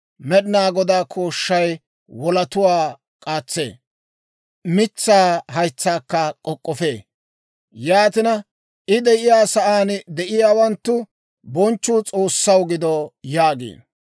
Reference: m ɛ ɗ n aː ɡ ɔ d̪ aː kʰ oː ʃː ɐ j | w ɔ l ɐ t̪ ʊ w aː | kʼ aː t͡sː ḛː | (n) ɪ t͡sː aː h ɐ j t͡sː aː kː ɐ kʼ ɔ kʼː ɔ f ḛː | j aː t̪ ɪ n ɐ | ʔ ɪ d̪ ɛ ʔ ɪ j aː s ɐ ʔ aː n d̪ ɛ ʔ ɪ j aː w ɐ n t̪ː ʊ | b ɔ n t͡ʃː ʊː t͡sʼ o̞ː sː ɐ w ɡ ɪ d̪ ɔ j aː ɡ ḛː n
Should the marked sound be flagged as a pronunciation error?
yes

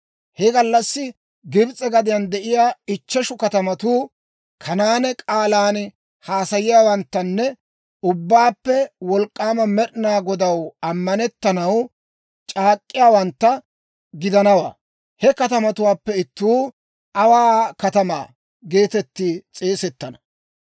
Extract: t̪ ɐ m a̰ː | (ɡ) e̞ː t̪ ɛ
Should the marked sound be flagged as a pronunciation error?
no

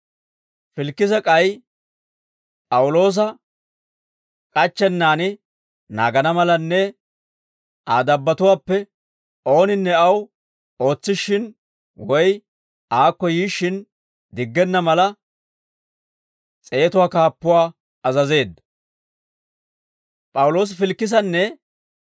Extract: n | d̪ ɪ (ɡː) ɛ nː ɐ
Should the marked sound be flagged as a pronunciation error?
no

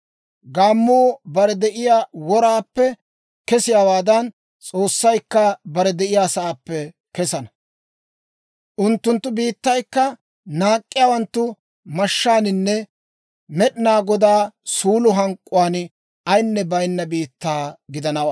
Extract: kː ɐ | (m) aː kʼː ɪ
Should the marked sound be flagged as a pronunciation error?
yes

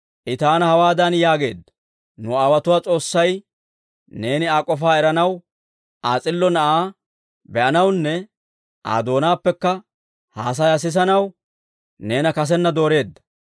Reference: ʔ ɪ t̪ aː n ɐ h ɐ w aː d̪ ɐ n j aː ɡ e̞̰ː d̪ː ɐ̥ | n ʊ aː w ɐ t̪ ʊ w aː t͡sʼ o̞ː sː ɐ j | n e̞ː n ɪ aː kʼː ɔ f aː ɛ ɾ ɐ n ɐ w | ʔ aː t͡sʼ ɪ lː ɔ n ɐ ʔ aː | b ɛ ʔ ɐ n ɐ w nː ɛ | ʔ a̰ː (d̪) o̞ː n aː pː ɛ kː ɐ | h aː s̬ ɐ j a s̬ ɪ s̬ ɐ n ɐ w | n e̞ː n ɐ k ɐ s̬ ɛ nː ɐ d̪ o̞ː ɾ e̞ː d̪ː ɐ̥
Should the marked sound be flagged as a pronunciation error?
no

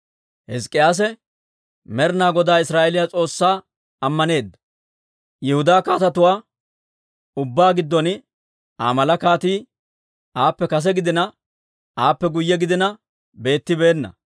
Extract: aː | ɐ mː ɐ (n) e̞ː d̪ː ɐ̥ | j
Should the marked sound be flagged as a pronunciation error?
no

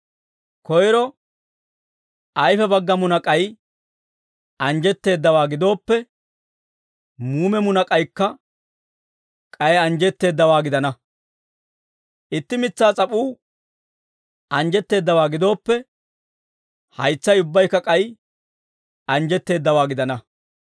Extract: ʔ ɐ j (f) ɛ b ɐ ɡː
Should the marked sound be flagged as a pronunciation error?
no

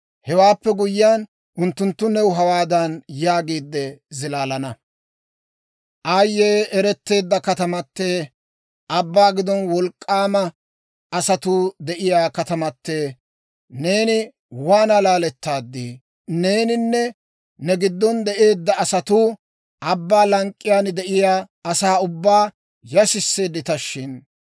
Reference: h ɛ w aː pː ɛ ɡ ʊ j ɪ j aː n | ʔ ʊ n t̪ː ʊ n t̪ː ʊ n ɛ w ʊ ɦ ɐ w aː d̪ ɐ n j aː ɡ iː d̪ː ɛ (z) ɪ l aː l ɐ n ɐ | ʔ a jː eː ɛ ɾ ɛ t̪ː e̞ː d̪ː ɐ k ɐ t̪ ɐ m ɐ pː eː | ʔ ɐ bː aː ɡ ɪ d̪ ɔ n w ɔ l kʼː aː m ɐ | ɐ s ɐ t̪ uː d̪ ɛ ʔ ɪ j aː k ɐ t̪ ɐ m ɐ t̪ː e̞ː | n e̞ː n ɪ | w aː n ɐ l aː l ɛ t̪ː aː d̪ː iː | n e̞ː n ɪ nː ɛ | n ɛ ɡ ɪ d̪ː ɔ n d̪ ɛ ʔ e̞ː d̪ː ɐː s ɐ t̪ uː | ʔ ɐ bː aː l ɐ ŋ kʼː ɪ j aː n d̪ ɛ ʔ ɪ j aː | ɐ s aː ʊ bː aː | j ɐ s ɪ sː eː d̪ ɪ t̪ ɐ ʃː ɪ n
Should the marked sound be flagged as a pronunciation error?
no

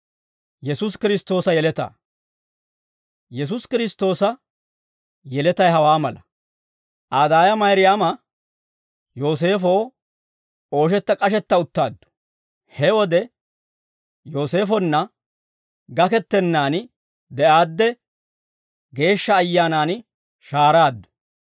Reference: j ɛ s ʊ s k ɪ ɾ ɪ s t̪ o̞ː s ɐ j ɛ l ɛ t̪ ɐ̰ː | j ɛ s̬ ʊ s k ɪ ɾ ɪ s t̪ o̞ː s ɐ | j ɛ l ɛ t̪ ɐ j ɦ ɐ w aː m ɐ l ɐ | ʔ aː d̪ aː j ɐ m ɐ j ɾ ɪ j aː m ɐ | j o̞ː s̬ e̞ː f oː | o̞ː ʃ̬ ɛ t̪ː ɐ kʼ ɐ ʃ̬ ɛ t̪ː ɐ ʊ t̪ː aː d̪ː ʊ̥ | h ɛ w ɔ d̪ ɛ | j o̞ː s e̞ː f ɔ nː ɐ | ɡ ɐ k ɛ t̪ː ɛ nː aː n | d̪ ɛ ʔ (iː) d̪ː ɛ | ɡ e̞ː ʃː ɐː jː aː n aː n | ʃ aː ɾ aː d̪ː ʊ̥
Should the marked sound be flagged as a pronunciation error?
yes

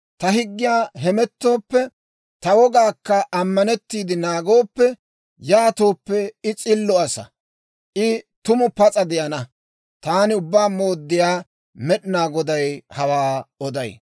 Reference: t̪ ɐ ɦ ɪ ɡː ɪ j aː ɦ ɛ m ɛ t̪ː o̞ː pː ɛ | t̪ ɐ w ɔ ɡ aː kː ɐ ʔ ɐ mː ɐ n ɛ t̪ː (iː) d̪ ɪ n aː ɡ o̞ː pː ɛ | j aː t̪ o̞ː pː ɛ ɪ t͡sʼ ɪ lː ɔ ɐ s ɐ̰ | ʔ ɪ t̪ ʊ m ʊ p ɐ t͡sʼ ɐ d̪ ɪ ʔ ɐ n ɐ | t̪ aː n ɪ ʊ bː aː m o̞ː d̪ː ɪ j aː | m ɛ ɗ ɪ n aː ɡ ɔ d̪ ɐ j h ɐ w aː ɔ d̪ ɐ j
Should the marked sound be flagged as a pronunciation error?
no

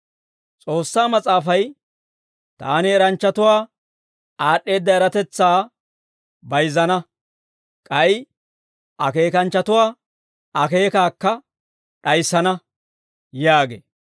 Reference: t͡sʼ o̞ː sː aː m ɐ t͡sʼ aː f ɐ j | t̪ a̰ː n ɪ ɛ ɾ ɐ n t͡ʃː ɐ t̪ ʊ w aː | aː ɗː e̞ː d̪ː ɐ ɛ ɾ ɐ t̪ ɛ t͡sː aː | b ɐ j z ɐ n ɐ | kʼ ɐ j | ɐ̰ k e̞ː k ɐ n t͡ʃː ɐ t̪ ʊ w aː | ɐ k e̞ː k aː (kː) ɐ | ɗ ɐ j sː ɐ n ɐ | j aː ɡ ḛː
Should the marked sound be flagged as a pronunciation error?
no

